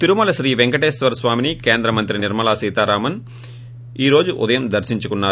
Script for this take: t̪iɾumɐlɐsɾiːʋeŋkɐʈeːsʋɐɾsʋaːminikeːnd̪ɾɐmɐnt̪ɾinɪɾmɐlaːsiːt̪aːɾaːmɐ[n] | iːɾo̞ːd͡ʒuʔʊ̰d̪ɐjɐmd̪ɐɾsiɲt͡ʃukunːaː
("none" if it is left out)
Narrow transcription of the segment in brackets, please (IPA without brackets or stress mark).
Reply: n